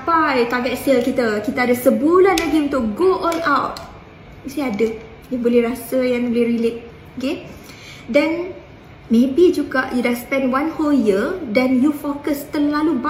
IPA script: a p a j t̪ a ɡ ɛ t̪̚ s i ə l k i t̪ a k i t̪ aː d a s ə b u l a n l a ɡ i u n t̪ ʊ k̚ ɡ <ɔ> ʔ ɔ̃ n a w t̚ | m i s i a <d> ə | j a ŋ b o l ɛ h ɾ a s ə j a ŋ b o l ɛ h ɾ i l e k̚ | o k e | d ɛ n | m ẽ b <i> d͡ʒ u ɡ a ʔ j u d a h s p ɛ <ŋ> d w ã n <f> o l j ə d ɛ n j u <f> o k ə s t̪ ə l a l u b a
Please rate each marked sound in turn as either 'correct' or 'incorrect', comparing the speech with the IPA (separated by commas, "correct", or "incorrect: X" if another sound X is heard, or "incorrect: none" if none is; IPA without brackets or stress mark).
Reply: incorrect: o, correct, correct, incorrect: n, incorrect: h, correct